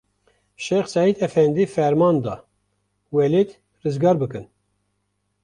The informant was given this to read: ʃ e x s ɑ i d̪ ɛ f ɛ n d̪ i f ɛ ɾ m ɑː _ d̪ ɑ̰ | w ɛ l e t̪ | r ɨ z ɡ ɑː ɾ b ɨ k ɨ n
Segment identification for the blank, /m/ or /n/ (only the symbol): n